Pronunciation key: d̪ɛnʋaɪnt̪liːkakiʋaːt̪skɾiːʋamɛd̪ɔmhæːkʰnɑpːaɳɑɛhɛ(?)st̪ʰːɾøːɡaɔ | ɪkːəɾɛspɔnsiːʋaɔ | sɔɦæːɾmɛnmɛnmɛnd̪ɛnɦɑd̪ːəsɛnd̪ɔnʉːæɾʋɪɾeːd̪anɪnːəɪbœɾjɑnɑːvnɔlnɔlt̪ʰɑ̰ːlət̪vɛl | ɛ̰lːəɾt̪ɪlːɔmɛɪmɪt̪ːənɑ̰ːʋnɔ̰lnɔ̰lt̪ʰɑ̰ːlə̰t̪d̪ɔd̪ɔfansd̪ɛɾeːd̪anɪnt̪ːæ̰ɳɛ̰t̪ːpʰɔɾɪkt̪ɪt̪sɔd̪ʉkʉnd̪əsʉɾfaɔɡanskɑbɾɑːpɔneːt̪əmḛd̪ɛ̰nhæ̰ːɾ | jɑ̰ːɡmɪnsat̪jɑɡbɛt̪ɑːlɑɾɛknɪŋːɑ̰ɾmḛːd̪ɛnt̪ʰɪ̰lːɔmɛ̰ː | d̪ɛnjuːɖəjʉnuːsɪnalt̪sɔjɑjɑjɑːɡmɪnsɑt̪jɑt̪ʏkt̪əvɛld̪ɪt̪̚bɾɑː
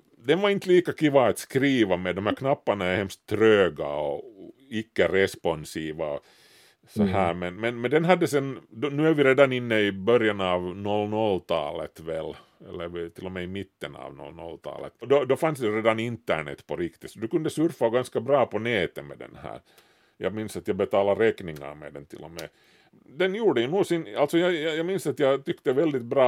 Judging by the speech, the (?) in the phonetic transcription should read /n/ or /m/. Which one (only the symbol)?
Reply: m